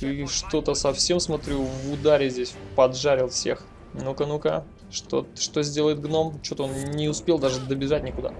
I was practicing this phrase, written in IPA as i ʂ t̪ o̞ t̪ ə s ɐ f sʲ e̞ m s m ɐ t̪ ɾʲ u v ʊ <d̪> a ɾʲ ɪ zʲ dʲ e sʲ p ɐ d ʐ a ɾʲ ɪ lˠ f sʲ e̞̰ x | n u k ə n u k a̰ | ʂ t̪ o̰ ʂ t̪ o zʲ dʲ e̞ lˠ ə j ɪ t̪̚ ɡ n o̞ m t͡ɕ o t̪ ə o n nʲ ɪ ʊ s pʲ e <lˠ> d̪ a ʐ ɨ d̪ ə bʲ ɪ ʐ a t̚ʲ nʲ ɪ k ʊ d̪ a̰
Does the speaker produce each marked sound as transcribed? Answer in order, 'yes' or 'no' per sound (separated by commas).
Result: yes, yes